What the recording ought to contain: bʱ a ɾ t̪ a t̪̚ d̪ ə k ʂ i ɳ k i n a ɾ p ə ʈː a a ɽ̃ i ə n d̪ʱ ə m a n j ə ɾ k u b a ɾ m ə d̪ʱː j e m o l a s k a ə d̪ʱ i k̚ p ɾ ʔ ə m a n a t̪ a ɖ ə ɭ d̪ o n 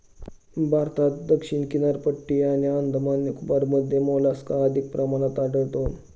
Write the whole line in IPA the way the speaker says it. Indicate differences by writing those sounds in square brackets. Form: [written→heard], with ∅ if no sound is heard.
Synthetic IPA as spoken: bʱ a ɾ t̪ a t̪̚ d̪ ə k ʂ i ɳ k i n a ɾ p ə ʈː [a→i] a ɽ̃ i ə n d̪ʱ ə m a n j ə [ɾ→∅] k u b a ɾ m ə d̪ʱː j e m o l a s k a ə d̪ʱ i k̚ p ɾ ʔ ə m a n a t̪ a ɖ ə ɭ [d̪→t̪] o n